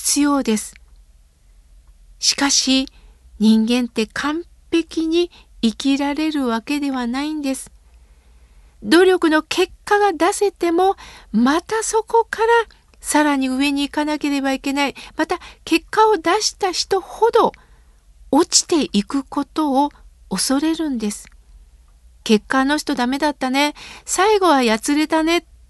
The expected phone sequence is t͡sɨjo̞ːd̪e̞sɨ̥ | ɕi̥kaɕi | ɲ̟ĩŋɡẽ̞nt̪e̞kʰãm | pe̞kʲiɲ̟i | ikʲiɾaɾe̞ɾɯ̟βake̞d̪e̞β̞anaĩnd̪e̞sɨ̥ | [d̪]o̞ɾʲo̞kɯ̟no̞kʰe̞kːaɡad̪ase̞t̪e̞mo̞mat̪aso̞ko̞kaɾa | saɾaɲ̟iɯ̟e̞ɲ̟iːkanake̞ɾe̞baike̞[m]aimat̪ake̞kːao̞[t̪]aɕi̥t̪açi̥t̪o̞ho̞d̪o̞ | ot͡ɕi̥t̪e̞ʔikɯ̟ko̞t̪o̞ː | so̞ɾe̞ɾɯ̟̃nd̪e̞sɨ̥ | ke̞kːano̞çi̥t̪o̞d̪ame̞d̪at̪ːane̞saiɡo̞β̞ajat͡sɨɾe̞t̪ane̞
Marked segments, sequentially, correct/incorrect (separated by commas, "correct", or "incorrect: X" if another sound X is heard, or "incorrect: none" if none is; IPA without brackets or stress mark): correct, incorrect: n, incorrect: d̪